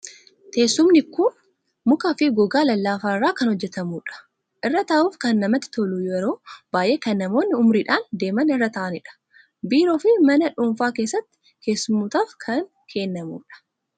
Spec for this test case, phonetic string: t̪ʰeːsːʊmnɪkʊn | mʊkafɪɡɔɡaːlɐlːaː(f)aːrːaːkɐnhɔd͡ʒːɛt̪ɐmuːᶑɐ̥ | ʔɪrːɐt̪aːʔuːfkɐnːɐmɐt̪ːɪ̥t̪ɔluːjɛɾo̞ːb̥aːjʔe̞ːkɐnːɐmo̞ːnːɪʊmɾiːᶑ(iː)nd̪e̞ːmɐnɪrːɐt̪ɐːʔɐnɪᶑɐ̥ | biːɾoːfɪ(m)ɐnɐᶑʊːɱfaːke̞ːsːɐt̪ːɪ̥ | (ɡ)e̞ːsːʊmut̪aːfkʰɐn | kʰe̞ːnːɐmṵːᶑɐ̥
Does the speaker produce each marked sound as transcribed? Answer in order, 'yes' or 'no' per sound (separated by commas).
yes, no, yes, no